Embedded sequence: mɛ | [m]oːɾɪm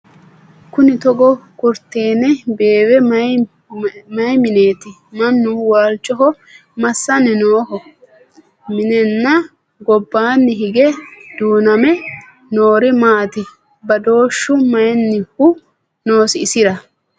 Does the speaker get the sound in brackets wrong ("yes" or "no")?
yes